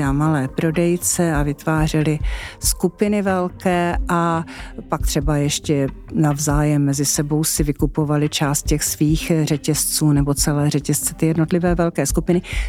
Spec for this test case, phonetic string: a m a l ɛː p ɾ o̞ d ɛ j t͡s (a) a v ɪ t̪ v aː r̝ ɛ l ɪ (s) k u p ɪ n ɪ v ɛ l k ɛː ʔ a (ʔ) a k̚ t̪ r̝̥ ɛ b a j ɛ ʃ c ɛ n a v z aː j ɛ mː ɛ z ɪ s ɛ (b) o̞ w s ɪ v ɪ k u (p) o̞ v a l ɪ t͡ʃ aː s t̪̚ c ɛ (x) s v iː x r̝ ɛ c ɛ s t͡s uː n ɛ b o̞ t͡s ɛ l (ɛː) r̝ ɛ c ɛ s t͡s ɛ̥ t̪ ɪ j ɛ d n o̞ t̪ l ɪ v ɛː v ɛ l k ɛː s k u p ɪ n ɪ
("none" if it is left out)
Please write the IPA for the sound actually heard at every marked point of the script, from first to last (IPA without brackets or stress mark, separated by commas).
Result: ɛ, s, p, b, p, x, ɛː